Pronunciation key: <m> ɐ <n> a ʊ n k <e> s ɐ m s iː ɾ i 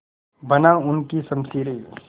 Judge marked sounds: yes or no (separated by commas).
no, yes, no